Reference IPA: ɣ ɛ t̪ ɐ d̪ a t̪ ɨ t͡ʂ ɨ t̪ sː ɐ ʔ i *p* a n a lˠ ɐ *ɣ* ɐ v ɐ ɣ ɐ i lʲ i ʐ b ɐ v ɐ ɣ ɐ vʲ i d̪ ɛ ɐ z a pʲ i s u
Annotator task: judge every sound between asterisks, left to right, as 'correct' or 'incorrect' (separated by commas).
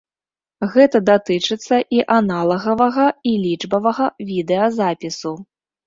incorrect, correct